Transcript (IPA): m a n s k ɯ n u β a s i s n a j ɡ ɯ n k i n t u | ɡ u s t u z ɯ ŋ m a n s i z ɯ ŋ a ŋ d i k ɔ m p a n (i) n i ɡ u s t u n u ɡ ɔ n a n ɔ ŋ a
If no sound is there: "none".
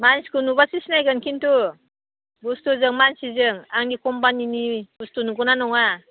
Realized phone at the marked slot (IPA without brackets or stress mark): i